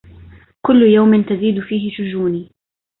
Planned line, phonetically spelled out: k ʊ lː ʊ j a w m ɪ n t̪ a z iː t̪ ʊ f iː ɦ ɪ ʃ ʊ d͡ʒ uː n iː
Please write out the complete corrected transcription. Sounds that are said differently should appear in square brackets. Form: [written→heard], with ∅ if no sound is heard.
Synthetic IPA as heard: k ʊ lː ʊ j a w m ɪ n t̪ a z iː [t̪→d̪] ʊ f iː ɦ ɪ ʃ ʊ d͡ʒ uː n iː